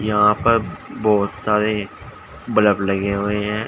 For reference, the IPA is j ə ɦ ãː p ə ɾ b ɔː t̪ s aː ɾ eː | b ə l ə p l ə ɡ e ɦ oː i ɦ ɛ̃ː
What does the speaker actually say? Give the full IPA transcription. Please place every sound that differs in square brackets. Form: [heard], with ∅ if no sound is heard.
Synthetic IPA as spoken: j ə ɦ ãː p ə ɾ b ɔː t̪ s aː ɾ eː | b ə l ə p l ə ɡ e ɦ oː [e] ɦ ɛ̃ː